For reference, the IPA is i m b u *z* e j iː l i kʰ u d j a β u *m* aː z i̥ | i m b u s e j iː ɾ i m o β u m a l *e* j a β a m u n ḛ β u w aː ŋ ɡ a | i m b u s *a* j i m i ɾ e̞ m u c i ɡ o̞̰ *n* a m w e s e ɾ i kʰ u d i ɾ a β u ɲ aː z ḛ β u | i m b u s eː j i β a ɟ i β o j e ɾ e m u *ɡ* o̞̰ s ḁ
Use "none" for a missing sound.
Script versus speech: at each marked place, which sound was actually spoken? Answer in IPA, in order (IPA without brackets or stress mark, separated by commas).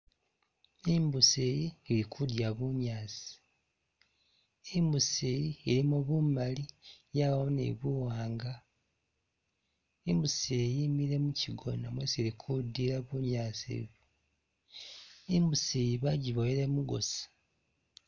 s, ɲ, i, e, n, ɡ